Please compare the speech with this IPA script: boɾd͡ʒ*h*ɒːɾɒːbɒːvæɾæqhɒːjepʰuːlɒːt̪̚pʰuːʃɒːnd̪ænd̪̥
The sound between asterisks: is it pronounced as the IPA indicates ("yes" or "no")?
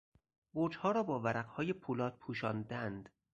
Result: yes